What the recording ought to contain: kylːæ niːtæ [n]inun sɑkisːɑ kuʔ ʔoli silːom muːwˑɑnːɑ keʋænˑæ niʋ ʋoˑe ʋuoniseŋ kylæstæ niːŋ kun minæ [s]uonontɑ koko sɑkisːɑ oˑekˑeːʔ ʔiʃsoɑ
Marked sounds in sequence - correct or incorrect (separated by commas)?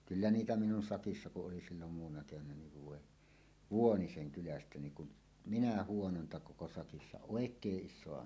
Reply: incorrect, incorrect